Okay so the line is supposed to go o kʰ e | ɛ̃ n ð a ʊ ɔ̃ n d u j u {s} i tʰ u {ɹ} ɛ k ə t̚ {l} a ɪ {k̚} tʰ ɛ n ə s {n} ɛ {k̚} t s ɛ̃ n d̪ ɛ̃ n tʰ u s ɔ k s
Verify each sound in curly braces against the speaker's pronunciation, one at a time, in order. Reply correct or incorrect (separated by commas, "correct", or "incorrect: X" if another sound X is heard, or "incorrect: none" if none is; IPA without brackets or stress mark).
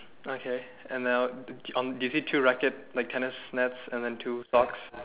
correct, correct, correct, correct, correct, incorrect: none